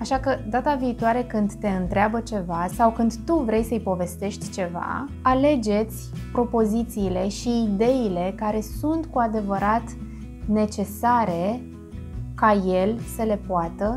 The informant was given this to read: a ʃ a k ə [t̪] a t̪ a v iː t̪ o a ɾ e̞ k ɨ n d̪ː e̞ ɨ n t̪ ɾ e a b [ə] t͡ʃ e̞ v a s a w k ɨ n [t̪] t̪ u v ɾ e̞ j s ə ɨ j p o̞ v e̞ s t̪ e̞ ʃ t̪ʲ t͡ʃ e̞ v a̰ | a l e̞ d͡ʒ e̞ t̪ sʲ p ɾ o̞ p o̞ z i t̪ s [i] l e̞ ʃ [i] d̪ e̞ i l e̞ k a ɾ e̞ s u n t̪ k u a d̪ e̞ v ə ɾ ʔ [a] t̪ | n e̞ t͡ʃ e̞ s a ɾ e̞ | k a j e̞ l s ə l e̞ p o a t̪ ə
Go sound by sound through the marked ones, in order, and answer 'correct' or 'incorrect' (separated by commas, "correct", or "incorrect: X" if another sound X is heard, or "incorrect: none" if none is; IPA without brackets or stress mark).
incorrect: d̪, correct, incorrect: d̪, incorrect: iː, incorrect: iː, correct